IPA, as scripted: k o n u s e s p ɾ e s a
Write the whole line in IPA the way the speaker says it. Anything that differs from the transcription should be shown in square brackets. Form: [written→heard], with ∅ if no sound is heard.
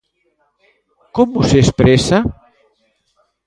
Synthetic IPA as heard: k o [n→m] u s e s p ɾ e s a